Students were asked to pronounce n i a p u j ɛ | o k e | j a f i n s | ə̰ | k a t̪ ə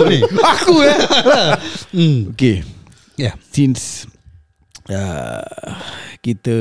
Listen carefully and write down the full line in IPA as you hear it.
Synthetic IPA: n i a k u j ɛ | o k e | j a s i n s | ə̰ | k i t̪ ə